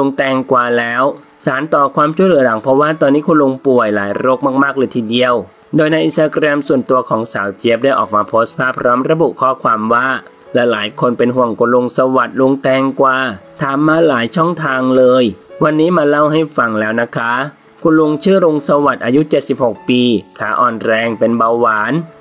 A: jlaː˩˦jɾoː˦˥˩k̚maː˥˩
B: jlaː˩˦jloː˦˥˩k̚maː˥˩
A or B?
A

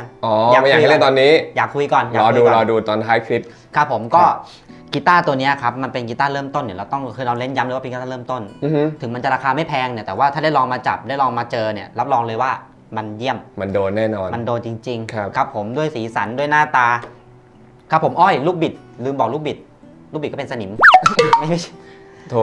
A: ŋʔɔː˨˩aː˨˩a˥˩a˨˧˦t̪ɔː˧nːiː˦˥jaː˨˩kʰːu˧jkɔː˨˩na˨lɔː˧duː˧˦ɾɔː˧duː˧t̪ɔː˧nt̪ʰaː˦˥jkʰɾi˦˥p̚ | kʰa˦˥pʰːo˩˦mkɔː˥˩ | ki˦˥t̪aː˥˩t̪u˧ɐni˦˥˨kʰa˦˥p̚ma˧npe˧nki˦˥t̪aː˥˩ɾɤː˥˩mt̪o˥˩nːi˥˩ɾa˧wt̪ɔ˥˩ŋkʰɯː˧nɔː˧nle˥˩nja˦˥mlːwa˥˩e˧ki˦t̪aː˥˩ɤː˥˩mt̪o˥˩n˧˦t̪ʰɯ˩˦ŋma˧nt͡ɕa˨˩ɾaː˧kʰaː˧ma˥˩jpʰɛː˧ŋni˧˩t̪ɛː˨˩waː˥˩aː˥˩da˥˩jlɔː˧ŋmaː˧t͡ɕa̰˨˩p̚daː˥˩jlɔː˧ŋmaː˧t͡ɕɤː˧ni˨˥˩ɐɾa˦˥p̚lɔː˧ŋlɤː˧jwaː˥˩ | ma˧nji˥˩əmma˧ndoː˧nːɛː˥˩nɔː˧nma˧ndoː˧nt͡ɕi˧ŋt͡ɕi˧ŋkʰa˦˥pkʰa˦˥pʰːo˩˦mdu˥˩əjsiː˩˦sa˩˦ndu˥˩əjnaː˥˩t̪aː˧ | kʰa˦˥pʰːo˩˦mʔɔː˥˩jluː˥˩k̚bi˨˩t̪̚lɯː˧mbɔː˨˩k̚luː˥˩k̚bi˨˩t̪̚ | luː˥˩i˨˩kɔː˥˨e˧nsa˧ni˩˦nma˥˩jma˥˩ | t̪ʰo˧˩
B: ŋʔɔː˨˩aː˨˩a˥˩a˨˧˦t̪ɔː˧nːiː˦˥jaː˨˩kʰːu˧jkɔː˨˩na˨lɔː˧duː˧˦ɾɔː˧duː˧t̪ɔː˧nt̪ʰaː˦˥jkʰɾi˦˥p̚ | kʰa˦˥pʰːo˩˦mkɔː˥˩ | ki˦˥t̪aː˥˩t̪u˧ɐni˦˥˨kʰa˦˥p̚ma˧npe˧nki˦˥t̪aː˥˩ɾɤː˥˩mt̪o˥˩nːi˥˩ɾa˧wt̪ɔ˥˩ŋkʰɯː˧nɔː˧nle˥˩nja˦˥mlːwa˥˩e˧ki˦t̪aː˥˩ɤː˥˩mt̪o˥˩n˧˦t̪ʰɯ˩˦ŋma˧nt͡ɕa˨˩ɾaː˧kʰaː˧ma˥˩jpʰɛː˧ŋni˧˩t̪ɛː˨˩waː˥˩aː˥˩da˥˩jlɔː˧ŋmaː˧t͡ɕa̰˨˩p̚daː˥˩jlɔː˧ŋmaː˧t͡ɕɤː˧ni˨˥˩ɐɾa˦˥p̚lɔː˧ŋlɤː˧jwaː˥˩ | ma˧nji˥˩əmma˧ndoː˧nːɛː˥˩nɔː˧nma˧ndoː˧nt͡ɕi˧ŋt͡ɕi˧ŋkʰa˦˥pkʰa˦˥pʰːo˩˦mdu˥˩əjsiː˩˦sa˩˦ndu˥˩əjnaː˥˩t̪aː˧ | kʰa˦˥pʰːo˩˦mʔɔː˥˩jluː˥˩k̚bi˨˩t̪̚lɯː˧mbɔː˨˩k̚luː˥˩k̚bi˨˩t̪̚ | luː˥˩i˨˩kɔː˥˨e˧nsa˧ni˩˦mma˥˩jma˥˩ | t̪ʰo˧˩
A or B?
B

